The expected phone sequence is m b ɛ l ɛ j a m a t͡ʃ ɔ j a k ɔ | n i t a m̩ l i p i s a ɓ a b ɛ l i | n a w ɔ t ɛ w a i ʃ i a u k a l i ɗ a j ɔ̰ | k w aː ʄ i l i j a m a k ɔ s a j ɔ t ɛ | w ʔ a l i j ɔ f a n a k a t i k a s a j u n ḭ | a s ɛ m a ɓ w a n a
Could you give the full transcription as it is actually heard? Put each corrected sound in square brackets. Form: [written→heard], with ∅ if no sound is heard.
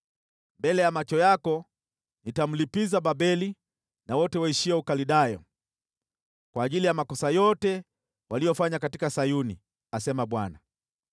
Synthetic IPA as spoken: m b ɛ l ɛ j a m a t͡ʃ ɔ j a k ɔ | n i t a m̩ l i p i [s→z] a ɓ a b ɛ l i | n a w ɔ t ɛ w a i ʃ i a u k a l i ɗ a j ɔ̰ | k w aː ʄ i l i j a m a k ɔ s a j ɔ t ɛ | w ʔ a l i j ɔ f a [n→ɲ] a k a t i k a s a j u n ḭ | a s ɛ m a ɓ w a n a